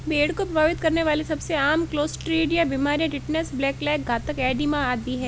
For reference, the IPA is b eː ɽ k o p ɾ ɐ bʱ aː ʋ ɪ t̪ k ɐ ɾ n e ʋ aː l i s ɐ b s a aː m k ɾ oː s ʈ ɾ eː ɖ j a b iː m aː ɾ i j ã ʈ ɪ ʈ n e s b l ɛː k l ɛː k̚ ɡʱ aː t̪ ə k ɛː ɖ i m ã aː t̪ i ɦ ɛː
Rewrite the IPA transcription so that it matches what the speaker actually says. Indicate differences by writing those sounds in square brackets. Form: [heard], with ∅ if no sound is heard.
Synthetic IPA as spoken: b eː ɽ k o p ɾ ɐ bʱ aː ʋ ɪ t̪ k ɐ ɾ n e ʋ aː l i s ɐ b s [e] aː m k [l] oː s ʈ ɾ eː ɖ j a b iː m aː ɾ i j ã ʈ ɪ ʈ n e s b l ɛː k l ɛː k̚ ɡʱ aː t̪ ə k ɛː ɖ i m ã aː [d̪] i ɦ ɛː